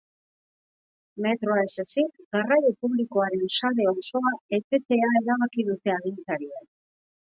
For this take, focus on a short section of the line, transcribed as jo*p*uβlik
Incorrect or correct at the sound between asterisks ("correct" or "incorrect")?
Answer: correct